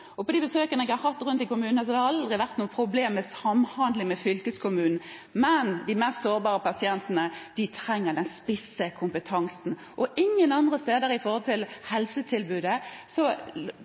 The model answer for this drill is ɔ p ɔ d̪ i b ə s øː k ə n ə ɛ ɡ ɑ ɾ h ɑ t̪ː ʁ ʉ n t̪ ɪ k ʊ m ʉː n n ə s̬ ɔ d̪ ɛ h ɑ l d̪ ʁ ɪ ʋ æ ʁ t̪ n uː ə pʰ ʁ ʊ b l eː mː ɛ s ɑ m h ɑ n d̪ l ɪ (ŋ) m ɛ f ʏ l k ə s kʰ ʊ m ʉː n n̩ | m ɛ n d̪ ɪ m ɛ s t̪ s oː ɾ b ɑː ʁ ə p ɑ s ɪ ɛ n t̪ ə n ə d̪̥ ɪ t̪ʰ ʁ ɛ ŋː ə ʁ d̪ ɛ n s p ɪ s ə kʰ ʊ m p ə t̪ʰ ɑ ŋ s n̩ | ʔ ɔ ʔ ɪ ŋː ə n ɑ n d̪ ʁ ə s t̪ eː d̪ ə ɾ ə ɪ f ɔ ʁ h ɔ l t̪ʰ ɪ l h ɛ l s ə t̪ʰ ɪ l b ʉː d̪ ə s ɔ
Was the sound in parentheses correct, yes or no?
yes